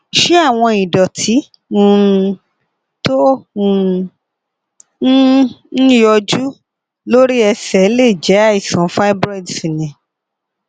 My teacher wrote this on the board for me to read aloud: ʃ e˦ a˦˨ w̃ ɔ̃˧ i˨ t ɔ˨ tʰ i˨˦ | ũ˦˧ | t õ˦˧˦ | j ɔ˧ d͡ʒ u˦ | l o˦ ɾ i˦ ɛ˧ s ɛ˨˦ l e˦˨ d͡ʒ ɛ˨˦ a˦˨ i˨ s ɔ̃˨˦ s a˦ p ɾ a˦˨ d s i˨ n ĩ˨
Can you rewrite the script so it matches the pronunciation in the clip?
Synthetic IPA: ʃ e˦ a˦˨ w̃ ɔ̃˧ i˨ d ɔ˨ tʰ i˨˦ | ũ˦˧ | t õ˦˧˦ | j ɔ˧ d͡ʒ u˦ | l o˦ ɾ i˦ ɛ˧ s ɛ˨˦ l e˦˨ d͡ʒ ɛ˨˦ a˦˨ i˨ s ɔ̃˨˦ f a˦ b ɾ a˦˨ d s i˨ n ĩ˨